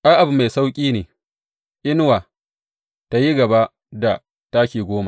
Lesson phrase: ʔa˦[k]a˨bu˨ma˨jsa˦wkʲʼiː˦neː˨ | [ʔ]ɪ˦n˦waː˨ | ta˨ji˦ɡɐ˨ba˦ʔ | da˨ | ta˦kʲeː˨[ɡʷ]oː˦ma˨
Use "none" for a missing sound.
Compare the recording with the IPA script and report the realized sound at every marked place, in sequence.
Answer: ʔ, ʔ, ɡʷ

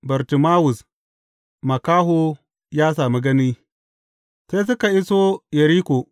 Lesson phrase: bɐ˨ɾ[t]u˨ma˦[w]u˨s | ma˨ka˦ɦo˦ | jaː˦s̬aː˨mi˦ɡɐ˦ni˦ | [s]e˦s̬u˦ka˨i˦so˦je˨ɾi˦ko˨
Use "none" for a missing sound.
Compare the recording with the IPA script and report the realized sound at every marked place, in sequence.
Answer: t, w, s

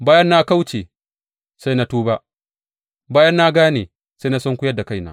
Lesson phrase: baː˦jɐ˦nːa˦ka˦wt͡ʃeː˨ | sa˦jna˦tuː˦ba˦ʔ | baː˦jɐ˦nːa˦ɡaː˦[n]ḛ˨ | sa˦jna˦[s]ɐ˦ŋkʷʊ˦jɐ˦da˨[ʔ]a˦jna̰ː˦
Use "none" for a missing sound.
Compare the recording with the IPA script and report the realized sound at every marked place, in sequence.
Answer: n, s, k

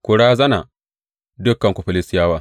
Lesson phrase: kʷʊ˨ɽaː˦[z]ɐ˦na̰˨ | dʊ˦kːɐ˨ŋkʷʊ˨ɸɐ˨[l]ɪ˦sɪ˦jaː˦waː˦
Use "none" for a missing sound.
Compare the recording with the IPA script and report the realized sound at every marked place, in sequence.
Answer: z, l

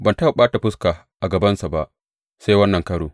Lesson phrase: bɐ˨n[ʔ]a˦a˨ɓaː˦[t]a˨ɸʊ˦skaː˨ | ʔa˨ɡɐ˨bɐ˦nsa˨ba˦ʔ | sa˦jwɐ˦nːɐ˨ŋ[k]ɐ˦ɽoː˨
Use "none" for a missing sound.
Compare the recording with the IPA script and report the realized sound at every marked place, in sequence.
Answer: t, t, k

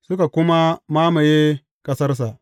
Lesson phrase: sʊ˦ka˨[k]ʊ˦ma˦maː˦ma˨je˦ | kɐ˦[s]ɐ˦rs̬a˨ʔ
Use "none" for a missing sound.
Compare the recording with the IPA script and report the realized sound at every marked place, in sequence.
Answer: k, s

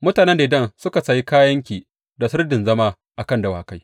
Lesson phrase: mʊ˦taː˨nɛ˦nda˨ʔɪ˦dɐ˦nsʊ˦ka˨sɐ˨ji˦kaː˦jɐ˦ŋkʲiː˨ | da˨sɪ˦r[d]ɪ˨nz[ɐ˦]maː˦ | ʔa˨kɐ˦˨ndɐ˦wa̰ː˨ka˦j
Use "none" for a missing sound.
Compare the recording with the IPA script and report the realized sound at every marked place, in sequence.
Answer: d, ɐ˦

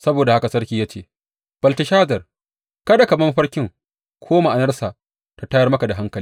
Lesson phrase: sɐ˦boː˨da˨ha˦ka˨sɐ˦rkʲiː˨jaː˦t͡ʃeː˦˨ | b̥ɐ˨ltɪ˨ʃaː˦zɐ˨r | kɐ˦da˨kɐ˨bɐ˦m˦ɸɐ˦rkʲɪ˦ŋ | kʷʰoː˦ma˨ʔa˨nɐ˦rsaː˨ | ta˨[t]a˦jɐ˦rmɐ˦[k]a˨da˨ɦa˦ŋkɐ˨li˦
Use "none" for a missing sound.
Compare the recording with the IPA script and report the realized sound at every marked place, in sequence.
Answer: t, k

